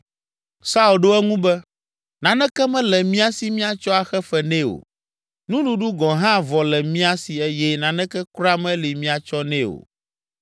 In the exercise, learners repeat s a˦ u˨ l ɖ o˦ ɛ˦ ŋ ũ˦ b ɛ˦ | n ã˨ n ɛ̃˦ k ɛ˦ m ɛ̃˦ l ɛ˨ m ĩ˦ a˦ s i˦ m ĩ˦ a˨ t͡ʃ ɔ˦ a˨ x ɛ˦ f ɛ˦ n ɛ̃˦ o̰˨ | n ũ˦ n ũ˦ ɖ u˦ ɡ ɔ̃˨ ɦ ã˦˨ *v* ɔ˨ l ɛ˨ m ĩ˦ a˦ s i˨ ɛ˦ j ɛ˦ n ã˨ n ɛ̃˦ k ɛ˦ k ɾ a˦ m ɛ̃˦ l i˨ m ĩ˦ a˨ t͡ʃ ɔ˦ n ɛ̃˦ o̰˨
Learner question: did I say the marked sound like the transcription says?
yes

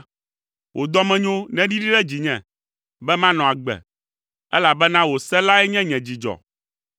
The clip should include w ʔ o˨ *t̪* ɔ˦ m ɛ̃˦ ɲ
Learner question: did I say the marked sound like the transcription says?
no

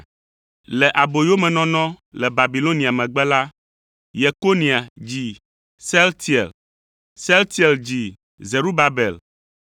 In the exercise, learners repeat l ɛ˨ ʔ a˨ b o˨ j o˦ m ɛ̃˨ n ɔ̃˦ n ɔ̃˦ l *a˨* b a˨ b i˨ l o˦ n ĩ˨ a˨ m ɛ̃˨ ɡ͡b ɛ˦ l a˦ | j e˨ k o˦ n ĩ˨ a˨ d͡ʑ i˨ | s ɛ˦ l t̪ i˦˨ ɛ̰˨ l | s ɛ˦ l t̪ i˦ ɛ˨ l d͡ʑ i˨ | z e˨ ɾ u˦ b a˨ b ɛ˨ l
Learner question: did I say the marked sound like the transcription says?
no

